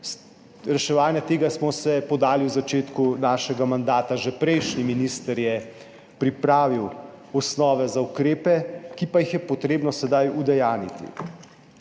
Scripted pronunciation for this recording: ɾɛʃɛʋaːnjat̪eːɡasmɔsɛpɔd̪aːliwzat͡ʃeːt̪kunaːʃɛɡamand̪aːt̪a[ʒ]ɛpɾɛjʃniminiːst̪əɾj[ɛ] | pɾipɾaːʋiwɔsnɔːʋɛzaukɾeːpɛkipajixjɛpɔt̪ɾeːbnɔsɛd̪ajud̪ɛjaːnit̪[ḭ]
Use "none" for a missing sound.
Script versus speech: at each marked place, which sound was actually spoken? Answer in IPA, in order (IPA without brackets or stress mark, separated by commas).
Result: ʒ, ɛ, ḭ